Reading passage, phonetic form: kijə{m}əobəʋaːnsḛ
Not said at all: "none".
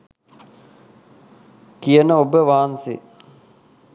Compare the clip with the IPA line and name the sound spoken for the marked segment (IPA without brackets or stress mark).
n